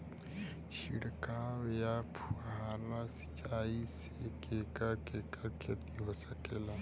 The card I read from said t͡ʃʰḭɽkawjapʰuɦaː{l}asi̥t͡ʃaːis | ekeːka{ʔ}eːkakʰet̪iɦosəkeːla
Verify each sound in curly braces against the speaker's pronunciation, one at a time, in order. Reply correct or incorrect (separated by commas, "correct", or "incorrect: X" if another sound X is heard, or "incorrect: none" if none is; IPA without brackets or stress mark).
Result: correct, incorrect: k